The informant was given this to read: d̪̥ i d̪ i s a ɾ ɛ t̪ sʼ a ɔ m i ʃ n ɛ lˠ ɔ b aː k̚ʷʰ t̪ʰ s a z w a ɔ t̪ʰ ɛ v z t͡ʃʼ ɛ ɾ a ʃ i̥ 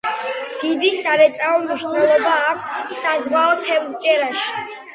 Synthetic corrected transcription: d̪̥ i d̪ i s a ɾ ɛ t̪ sʼ a ɔ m i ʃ n ɛ lˠ ɔ b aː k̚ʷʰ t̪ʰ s a z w a ɔ t̪ʰ ɛ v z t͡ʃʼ ɛ ɾ a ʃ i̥